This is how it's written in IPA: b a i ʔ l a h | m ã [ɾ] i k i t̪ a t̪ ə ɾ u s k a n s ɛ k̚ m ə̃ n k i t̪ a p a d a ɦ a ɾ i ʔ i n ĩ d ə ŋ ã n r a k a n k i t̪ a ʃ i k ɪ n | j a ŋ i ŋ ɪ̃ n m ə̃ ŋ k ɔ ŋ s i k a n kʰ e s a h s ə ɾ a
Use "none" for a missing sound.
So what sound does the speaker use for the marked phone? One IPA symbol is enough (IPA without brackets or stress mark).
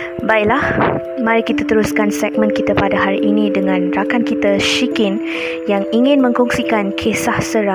ɾ